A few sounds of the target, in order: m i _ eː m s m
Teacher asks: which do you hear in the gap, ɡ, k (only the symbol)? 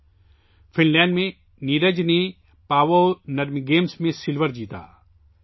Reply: ɡ